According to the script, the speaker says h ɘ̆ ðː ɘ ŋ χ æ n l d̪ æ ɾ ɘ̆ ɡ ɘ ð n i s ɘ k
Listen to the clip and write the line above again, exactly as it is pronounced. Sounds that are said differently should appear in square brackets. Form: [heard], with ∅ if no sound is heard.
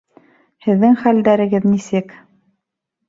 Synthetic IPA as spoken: h ɘ̆ ðː ɘ ŋ χ æ [∅] l d̪ æ ɾ ɘ̆ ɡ ɘ ð n i s ɘ k

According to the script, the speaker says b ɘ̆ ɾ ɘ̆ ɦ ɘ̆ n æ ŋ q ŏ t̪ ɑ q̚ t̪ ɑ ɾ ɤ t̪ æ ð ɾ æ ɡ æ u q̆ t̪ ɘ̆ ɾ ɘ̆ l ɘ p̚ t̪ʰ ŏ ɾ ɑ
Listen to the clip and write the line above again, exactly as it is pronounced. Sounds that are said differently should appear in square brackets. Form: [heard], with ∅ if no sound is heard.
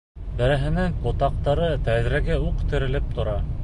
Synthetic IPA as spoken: b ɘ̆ ɾ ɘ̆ ɦ ɘ̆ n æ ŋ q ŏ t̪ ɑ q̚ t̪ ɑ ɾ ɤ t̪ æ ð ɾ æ ɡ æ u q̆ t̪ ɘ̆ ɾ ɘ̆ l ɘ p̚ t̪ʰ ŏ ɾ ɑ

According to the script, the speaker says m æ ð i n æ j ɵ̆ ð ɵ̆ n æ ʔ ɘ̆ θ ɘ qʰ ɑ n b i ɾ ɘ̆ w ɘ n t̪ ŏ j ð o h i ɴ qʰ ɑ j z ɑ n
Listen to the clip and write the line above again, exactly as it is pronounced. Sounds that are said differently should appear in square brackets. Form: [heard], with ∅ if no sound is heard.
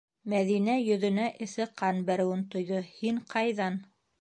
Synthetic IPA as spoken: m æ ð i n æ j ɵ̆ ð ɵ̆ n æ ʔ ɘ̆ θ ɘ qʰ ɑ n b [æ] ɾ ɘ̆ w ɘ n t̪ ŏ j ð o h i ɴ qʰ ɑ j [ð] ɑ n

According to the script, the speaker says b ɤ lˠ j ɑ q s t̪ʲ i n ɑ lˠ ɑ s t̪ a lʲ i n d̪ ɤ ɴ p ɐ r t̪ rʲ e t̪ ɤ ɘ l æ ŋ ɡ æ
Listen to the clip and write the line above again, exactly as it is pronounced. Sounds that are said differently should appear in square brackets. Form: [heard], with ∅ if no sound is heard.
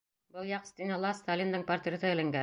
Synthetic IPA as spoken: b ɤ lˠ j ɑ q s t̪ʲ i n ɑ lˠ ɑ s t̪ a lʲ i n d̪ ɤ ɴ p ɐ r t̪ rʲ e t̪ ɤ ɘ l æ ŋ ɡ æ

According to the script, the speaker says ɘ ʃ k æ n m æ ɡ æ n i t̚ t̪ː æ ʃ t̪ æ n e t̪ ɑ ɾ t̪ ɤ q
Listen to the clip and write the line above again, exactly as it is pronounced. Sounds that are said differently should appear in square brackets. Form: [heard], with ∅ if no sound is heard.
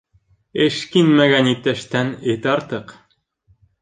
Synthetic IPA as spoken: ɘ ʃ k [i] n m æ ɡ æ n i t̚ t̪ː æ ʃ t̪ æ n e t̪ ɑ ɾ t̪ ɤ q

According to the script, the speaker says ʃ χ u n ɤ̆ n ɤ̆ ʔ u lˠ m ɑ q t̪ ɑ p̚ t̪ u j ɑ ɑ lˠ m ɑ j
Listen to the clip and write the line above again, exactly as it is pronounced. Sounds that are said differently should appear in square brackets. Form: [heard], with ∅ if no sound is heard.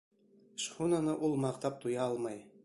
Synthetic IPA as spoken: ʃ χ u n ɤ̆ n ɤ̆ ʔ u lˠ m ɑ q t̪ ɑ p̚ t̪ u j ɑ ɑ lˠ m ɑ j

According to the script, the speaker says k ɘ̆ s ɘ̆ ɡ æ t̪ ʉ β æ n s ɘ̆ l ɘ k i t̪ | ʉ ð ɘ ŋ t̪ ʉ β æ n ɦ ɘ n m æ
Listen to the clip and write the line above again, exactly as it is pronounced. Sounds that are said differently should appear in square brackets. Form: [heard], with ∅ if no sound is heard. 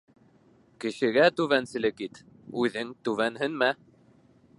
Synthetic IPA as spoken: k ɘ̆ [ʃ] ɘ̆ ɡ æ t̪ ʉ β æ n s ɘ̆ l ɘ k i t̪ | ʉ ð ɘ ŋ t̪ ʉ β æ n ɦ ɘ n m æ

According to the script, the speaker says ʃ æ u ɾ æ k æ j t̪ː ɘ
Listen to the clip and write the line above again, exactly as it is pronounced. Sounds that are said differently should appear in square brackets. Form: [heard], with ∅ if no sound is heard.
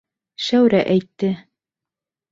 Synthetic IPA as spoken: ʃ æ [w] ɾ æ [ʔ] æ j t̪ː ɘ

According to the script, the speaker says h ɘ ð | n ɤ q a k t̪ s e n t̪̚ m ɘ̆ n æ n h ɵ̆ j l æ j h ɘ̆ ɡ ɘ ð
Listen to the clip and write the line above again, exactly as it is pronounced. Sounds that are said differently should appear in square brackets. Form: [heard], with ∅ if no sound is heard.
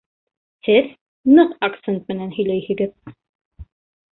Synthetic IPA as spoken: h ɘ ð | n ɤ q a k t̪ s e n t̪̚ m ɘ̆ n æ n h ɵ̆ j l æ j h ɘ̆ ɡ ɘ ð

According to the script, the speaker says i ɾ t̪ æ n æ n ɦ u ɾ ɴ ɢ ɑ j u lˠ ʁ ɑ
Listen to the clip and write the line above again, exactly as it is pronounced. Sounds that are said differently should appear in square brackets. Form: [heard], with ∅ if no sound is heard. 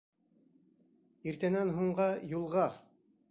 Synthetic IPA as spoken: i ɾ t̪ æ n æ n ɦ u [∅] ɴ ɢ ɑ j u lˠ ʁ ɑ

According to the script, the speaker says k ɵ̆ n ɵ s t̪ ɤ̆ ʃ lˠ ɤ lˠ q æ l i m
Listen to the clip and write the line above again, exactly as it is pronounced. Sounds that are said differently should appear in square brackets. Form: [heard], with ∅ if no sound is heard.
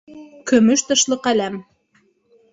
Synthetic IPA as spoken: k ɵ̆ [m] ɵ [ʃ] t̪ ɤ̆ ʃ lˠ ɤ [∅] q æ l [æ] m

